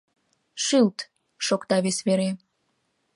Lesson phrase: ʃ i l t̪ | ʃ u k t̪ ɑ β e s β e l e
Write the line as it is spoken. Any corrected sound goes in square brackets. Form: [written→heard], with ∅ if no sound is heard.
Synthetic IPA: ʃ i l t̪ | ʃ [u→o] k t̪ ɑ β e s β e [l→ɾ] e